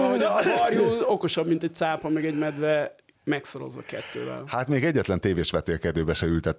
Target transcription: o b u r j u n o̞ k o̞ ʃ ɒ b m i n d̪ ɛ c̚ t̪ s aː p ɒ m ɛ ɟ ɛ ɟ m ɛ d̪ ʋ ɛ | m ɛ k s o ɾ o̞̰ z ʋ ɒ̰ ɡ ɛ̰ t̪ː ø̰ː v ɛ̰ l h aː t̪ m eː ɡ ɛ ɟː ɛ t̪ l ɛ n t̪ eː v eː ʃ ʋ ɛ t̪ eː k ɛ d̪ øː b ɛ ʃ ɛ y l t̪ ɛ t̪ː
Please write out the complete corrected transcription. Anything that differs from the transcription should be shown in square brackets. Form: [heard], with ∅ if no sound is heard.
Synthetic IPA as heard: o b [ɒ] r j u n o̞ k o̞ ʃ ɒ b m i n [t̪] ɛ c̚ t̪ s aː p ɒ m ɛ [ɡ] ɛ ɟ m ɛ d̪ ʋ ɛ | m ɛ k s o ɾ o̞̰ z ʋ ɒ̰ [k] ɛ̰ t̪ː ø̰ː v ɛ̰ l h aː t̪ m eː ɡ ɛ ɟː ɛ t̪ l ɛ n t̪ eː v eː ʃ ʋ ɛ t̪ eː k ɛ d̪ øː b ɛ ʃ ɛ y l t̪ ɛ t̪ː